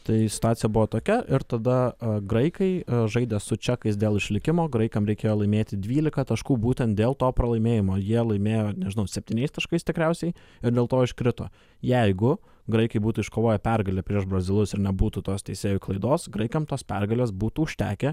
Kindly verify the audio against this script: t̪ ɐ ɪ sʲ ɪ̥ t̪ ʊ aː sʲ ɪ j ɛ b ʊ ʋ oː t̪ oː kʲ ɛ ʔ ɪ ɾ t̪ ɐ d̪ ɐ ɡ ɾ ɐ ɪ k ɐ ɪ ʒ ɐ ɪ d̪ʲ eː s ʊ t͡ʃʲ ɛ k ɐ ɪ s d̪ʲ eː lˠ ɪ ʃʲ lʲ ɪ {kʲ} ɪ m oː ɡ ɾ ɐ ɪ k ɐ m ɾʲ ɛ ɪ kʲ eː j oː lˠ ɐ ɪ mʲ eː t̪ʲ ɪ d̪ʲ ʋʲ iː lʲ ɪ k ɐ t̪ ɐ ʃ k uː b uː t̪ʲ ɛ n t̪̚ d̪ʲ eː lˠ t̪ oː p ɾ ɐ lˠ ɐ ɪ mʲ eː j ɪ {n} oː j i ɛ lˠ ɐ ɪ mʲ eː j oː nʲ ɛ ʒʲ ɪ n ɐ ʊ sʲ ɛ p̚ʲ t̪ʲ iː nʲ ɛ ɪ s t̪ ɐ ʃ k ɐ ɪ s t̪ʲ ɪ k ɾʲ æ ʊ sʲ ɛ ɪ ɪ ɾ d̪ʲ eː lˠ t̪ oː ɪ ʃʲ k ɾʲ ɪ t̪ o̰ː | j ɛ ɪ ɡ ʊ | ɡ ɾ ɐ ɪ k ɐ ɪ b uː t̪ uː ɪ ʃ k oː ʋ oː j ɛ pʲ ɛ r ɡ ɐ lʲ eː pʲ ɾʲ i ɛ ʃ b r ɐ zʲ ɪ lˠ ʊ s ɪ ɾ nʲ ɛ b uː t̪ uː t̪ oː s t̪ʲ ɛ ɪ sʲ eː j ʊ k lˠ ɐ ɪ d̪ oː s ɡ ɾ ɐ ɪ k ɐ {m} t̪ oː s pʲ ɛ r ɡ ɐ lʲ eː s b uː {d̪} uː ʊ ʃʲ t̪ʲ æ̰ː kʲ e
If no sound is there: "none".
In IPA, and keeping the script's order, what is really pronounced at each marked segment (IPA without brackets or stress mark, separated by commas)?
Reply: kʲ, m, m, t̪